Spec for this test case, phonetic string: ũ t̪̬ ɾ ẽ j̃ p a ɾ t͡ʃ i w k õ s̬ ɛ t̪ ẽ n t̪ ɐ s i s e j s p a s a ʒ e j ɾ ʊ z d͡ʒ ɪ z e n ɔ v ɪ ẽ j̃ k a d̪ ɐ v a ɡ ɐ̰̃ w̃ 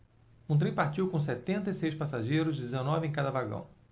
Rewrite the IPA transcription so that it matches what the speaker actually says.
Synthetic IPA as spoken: ũ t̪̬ ɾ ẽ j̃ p a ɾ t͡ʃ i w k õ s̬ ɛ t̪ ẽ n t̪ ɐ i s e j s p a s a ʒ e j ɾ ʊ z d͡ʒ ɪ z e n ɔ v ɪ ẽ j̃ k a d̪ ɐ v a ɡ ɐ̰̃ w̃